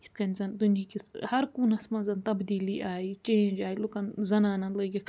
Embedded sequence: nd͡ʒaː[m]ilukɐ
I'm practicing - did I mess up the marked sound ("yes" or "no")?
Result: yes